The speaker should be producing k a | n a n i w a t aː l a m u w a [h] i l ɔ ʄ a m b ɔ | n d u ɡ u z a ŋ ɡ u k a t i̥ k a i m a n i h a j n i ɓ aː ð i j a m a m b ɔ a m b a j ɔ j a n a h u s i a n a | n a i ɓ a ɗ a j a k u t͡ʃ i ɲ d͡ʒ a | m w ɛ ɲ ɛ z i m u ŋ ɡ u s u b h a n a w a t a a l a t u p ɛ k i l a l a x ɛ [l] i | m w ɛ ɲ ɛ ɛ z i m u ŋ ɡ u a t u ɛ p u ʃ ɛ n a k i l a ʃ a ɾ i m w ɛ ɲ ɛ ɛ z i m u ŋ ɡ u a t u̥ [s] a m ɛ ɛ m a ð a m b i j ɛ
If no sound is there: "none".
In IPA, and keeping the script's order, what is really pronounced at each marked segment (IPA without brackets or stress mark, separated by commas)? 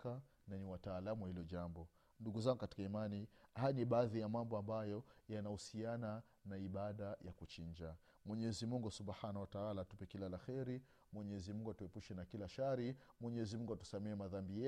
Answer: h, ɾ, s